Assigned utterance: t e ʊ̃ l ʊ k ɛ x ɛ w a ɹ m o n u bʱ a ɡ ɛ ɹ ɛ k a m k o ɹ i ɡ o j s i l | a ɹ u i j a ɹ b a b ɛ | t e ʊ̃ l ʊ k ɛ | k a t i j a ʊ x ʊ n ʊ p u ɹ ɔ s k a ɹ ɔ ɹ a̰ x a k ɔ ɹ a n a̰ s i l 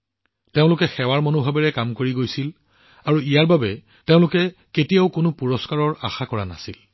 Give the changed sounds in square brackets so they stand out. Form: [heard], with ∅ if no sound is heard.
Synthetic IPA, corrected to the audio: t e ʊ̃ l ʊ k ɛ x ɛ w a ɹ m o n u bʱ a [b] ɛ ɹ ɛ k a m k o ɹ i ɡ o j s i l | a ɹ u i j a ɹ b a b ɛ | t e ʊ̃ l ʊ k ɛ | k [e] t i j a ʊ [k] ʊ n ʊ p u ɹ ɔ s k a ɹ ɔ ɹ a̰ x a k ɔ ɹ a n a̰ s i l